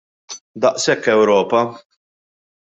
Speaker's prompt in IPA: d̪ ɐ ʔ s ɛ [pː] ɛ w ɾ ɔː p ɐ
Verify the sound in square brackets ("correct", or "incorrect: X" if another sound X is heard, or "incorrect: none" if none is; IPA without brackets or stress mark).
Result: incorrect: kː